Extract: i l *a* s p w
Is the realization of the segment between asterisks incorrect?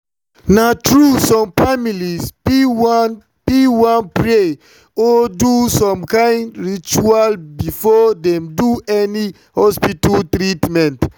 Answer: yes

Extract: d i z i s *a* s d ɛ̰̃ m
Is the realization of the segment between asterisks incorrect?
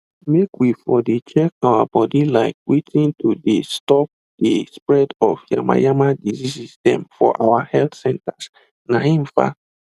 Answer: yes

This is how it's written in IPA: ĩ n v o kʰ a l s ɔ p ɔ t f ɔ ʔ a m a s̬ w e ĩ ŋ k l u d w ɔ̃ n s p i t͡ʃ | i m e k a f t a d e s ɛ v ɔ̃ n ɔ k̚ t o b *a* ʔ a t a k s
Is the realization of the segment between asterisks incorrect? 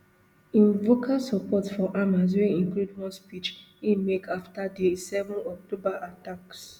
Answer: no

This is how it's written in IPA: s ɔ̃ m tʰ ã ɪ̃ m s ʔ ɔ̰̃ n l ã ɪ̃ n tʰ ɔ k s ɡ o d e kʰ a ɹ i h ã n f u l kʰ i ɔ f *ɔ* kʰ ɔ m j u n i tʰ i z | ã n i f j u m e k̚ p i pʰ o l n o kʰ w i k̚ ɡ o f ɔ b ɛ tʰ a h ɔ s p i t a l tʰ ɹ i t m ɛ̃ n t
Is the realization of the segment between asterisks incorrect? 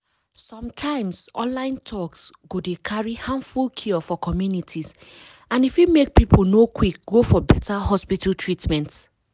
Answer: no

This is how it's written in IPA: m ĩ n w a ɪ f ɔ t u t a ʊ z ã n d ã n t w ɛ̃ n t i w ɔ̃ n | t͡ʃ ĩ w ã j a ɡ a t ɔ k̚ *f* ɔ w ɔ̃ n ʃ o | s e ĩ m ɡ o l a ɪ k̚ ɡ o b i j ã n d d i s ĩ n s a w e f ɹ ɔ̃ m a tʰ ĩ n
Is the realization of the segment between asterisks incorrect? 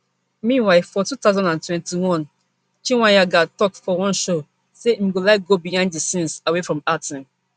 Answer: no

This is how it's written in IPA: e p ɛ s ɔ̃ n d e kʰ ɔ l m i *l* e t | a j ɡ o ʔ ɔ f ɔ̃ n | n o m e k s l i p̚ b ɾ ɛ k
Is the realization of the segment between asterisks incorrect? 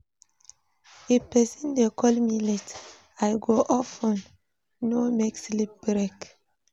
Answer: no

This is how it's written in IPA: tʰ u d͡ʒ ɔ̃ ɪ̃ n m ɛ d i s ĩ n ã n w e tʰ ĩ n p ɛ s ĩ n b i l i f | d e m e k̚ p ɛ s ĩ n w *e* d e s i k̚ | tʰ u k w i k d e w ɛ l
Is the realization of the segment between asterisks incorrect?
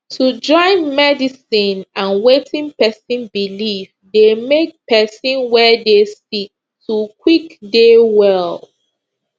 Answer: yes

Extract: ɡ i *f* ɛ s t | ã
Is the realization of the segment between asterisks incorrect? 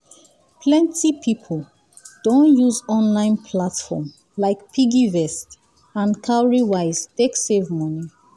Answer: yes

